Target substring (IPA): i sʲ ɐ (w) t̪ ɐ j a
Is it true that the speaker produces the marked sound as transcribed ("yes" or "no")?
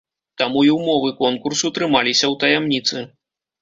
yes